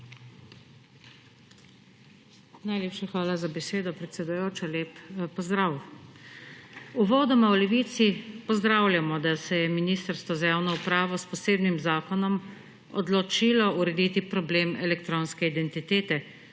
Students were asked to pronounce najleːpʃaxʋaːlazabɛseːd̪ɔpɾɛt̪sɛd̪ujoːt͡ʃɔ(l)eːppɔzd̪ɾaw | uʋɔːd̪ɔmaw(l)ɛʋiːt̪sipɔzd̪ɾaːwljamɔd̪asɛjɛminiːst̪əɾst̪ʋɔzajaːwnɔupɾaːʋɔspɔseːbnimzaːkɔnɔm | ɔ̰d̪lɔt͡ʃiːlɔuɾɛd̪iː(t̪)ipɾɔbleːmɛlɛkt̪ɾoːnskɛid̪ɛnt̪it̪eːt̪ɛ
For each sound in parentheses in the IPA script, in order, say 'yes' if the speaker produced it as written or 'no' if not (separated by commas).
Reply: yes, yes, yes